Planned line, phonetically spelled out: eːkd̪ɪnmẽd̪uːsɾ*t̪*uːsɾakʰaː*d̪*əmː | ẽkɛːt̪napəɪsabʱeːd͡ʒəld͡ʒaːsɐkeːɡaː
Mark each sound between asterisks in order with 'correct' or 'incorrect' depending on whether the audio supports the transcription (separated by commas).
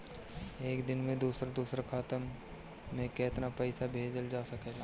incorrect, incorrect